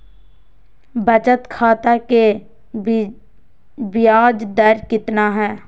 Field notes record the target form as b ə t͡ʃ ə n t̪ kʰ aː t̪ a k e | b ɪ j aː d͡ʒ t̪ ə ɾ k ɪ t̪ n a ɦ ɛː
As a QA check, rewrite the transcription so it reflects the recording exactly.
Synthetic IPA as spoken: b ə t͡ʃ ə t̪ kʰ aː t̪ a k e | b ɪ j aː d͡ʒ d̪ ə ɾ k ɪ t̪ n a ɦ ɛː